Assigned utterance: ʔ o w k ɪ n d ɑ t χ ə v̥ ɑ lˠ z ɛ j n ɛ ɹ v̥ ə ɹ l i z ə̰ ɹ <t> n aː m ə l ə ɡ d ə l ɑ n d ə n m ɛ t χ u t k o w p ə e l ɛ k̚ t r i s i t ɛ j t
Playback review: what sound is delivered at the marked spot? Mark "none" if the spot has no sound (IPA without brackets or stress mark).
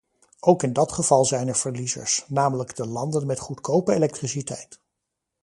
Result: s